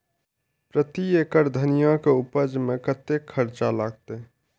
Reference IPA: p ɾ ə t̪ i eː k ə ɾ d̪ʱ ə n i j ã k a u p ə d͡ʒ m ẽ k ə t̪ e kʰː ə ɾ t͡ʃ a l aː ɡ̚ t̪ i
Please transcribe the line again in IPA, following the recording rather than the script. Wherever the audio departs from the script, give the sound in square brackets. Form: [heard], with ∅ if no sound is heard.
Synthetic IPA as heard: p ɾ ə t̪ i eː k ə ɾ d̪ʱ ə n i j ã k [e] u p ə d͡ʒ m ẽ k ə t̪ e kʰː ə ɾ t͡ʃ a l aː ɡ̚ t̪ [e]